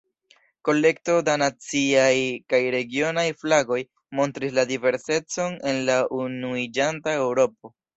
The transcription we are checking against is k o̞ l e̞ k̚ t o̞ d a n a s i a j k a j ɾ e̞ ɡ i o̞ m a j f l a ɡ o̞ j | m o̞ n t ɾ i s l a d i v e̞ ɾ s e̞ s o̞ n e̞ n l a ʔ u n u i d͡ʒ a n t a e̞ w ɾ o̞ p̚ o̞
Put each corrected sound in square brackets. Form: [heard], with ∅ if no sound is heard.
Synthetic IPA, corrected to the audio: k o̞ l e̞ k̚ t o̞ d a n a [t͡s] i a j k a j ɾ e̞ ɡ i o̞ [n] a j f l a ɡ o̞ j | m o̞ n t ɾ i s l a d i v e̞ ɾ s e̞ [t͡s] o̞ n e̞ n l a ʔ u n u i d͡ʒ a n t a e̞ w ɾ o̞ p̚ o̞

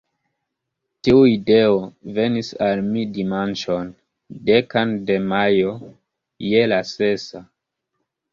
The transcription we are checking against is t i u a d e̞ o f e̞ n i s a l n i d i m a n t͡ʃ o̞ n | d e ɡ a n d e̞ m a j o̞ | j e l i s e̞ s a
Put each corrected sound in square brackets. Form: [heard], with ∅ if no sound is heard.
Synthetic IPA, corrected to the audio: t i u [i] d e̞ o [v] e̞ n i s a l [m] i d i m a n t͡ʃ o̞ n | d e [k] a n d e̞ m a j o̞ | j e l [a] s e̞ s a

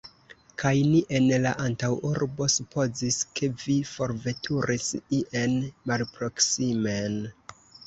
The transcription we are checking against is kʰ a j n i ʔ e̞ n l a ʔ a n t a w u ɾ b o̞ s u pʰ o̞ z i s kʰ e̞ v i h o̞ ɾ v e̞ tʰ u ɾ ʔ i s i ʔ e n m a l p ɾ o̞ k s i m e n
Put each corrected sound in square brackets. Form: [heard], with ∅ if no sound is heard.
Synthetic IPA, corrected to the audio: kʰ a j n i ʔ e̞ n l a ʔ a n t a w u ɾ b o̞ s u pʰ o̞ z i s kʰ e̞ v i [f] o̞ ɾ v e̞ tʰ u ɾ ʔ i s i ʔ e n m a l p ɾ o̞ k s i m e n

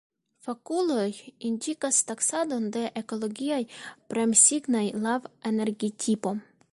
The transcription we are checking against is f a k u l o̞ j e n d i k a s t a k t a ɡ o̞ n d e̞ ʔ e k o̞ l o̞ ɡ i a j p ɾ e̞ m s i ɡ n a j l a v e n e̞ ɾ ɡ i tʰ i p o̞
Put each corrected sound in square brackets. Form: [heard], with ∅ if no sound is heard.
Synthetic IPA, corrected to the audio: f a k u l o̞ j [i] n d i k a s t a k [s] a [d] o̞ n d e̞ ʔ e k o̞ l o̞ ɡ i a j p ɾ e̞ m s i ɡ n a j l a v e n e̞ ɾ ɡ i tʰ i p o̞

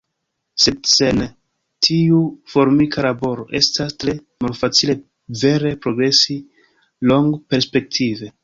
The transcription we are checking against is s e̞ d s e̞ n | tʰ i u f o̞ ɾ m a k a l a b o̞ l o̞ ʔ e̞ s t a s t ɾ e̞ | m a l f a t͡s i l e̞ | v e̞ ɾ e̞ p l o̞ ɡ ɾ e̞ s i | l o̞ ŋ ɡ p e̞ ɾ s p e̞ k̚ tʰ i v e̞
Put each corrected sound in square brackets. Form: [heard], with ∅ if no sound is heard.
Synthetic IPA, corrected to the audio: s e̞ d s e̞ n | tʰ i u f o̞ ɾ m [i] k a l a b o̞ [ɾ] o̞ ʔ e̞ s t a s t ɾ e̞ | m a l f a t͡s i l e̞ | v e̞ ɾ e̞ p [ɾ] o̞ ɡ ɾ e̞ s i | l o̞ ŋ ɡ p e̞ ɾ s p e̞ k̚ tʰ i v e̞

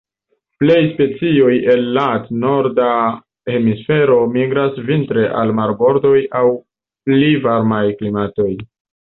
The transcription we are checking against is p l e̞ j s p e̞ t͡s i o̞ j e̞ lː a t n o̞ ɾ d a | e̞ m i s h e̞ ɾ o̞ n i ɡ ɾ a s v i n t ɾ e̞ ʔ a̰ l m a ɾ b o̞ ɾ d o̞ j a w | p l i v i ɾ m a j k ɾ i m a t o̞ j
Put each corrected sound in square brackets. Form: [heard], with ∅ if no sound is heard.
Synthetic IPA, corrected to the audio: p l e̞ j s p e̞ t͡s i o̞ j e̞ lː a t n o̞ ɾ d a | e̞ m i s [f] e̞ ɾ o̞ [m] i ɡ ɾ a s v i n t ɾ e̞ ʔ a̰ l m a ɾ b o̞ ɾ d o̞ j a w | p l i v [a] ɾ m a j k [l] i m a t o̞ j

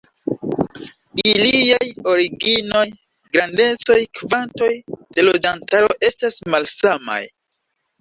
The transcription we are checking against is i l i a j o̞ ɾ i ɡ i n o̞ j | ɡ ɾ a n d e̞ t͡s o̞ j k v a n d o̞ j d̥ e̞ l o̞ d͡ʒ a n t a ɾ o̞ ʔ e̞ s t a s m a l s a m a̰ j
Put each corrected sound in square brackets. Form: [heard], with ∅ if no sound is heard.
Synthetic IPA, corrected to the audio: i l i a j o̞ ɾ i ɡ i n o̞ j | ɡ ɾ a n d e̞ t͡s o̞ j k v a n [t] o̞ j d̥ e̞ l o̞ d͡ʒ a n t a ɾ o̞ ʔ e̞ s t a s m a l s a m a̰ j

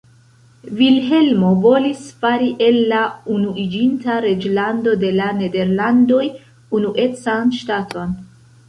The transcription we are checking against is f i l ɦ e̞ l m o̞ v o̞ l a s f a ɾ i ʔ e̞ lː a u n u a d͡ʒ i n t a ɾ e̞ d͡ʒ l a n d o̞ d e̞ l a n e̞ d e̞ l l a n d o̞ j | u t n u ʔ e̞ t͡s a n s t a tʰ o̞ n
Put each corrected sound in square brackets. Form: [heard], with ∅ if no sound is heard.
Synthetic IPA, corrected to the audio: [v] i l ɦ e̞ l m o̞ v o̞ l [i] s f a ɾ i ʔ e̞ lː a u n u [i] d͡ʒ i n t a ɾ e̞ d͡ʒ l a n d o̞ d e̞ l a n e̞ d e̞ [ɾ] l a n d o̞ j | u [∅] n u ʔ e̞ t͡s a n [ʃ] t a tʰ o̞ n

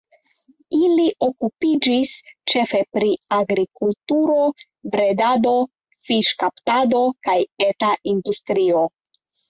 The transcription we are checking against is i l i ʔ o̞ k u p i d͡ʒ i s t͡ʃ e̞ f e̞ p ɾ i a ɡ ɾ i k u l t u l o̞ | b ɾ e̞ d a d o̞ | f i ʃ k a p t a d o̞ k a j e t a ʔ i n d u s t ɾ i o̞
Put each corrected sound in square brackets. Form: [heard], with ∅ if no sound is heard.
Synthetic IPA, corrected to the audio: i l i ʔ o̞ k u p i d͡ʒ i s t͡ʃ e̞ f e̞ p ɾ i a ɡ ɾ i k u l t u [ɾ] o̞ | b ɾ e̞ d a d o̞ | f i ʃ k a p t a d o̞ k a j e t a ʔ i n d u s t ɾ i o̞

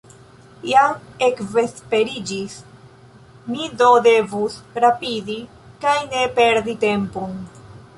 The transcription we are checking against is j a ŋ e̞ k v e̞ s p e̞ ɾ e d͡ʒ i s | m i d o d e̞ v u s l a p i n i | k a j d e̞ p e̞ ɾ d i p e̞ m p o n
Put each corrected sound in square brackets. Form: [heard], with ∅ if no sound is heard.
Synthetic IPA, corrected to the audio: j a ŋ e̞ k v e̞ s p e̞ ɾ [i] d͡ʒ i s | m i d o d e̞ v u s [ɾ] a p i [d] i | k a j [n] e̞ p e̞ ɾ d i [t] e̞ m p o n

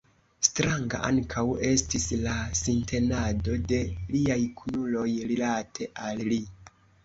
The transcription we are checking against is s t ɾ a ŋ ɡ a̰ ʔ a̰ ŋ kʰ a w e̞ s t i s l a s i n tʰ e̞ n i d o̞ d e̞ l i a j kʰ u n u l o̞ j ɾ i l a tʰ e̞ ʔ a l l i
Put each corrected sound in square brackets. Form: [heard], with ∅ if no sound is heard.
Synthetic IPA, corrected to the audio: s t ɾ a ŋ ɡ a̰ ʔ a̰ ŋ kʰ a w e̞ s t i s l a s i n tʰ e̞ n [a] d o̞ d e̞ l i a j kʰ u n u l o̞ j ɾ i l a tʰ e̞ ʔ a l l i

